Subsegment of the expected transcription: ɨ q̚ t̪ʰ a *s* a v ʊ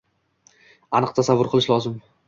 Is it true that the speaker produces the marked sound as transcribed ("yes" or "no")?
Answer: yes